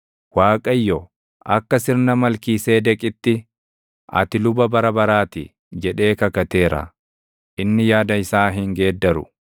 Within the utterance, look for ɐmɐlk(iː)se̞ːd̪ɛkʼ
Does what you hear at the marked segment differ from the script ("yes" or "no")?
no